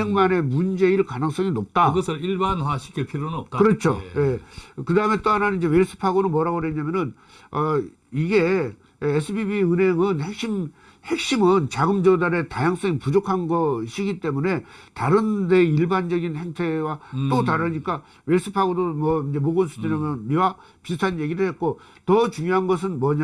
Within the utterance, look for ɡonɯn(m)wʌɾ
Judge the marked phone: correct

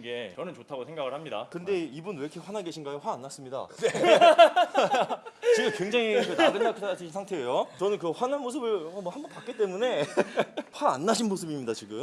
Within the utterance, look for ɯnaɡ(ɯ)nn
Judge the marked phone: correct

